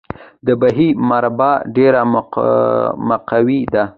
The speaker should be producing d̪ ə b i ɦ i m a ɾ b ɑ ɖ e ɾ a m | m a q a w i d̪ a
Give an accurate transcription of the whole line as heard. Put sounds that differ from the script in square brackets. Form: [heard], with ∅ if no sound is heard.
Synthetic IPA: d̪ ə b [a] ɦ i m a ɾ b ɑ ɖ e ɾ a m | m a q a w i d̪ a